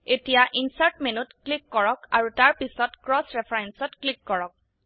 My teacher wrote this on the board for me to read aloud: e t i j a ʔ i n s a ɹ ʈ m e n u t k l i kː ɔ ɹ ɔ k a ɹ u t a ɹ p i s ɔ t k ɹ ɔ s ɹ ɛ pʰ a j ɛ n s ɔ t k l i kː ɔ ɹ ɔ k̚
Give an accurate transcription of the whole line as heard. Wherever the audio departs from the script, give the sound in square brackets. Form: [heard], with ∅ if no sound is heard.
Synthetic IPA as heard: e t i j a ʔ i n s a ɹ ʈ m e n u t k l i kː ɔ ɹ ɔ k a ɹ u t a ɹ p i s ɔ t k ɹ ɔ s ɹ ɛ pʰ a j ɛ n s ɔ t k l i kː ɔ ɹ ɔ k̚

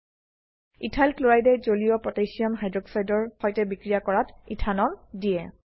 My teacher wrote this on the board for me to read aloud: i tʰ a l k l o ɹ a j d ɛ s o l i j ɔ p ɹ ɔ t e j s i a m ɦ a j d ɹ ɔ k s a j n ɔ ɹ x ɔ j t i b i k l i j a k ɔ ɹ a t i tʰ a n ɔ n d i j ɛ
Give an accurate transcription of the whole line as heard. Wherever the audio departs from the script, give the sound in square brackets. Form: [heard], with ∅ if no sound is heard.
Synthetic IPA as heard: i tʰ a l k l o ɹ a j d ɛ [z] o l i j ɔ p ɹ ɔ t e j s i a m ɦ a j d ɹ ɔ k s a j [d] ɔ ɹ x ɔ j t [ɛ] b i k [ɹ] i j a k ɔ ɹ a t i tʰ a n ɔ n d i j ɛ

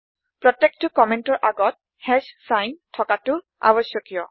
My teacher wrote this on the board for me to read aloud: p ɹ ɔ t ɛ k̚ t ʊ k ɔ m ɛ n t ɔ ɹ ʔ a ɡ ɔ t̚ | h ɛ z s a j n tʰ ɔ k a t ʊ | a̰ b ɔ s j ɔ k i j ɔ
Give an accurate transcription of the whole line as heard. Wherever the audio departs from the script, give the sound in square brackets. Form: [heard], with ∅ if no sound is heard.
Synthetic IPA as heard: p ɹ ɔ t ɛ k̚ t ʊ k ɔ m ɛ n t ɔ ɹ ʔ a ɡ ɔ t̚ | h ɛ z s a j n tʰ ɔ k a t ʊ | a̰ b ɔ s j ɔ k i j ɔ

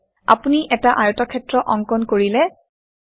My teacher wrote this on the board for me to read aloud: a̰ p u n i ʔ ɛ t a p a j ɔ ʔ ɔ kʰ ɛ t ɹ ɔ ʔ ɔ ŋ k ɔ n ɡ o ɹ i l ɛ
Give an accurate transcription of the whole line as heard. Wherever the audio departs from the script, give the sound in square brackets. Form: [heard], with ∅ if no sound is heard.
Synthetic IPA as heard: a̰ p u n i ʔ ɛ t a [ʔ] a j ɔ [t] ɔ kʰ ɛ t ɹ ɔ ʔ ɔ ŋ k ɔ n [k] o ɹ i l ɛ

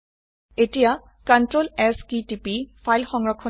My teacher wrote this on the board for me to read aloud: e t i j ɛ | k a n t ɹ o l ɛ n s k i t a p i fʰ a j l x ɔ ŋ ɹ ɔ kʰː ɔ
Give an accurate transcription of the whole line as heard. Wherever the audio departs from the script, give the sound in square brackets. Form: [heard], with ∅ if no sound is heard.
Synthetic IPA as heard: e t i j [a] | k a n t ɹ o l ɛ [∅] s k i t [i] p i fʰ a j l x ɔ ŋ ɹ ɔ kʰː ɔ

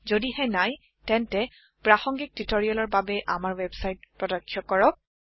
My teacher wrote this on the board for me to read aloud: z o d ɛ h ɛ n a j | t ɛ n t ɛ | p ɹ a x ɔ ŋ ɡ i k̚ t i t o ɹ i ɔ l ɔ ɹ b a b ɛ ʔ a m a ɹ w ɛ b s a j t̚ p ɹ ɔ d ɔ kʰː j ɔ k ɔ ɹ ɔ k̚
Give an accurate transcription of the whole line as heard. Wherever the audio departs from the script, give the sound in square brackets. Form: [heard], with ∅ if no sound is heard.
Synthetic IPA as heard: z o d [i] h ɛ n a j | t ɛ n t ɛ | p ɹ a x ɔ ŋ ɡ i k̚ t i t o ɹ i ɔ l ɔ ɹ b a b ɛ ʔ a m a ɹ w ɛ b s a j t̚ p ɹ ɔ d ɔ kʰː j ɔ k ɔ ɹ ɔ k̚

